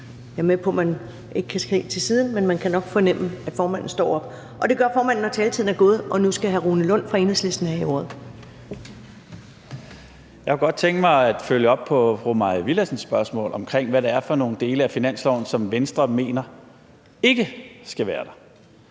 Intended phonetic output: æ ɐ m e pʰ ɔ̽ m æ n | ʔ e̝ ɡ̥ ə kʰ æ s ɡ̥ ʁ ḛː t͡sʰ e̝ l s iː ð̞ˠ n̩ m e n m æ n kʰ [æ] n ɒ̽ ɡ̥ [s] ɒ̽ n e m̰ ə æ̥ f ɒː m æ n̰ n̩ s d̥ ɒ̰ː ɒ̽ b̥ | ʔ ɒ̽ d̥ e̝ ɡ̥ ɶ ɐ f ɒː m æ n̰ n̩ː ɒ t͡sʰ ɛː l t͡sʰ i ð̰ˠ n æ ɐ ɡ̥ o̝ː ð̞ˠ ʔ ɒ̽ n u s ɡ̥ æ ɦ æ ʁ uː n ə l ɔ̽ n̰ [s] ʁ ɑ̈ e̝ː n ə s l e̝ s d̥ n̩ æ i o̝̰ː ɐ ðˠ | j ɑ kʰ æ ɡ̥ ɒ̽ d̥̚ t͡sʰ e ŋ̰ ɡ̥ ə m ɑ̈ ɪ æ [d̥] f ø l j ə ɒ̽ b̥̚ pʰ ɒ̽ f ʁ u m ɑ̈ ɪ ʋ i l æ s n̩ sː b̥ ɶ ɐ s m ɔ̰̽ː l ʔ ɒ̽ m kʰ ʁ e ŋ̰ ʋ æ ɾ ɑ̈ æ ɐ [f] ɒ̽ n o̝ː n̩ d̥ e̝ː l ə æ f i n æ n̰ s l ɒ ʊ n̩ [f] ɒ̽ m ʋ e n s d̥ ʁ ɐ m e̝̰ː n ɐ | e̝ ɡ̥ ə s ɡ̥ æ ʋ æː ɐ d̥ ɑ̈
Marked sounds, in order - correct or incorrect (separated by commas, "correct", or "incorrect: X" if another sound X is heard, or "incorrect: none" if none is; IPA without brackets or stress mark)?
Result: correct, incorrect: f, incorrect: f, correct, correct, incorrect: s